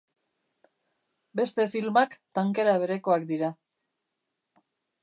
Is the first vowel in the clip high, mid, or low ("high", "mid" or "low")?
mid